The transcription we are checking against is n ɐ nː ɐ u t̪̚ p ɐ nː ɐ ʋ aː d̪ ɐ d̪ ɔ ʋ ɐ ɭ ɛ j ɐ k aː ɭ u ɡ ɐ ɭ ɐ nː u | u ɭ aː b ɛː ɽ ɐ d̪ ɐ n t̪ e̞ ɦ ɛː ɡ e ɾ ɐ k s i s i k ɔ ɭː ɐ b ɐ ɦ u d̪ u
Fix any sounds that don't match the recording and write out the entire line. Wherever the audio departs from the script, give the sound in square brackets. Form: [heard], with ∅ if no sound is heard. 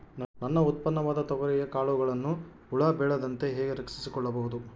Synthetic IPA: n ɐ nː ɐ u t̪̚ p ɐ nː ɐ ʋ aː d̪ ɐ [t̪] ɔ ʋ ɐ [ɾ] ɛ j ɐ k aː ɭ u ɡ ɐ ɭ ɐ nː u | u ɭ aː b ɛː [ɭ] ɐ d̪ ɐ n t̪ e̞ ɦ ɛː ɡ e ɾ ɐ k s i s i k ɔ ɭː ɐ b ɐ ɦ u d̪ u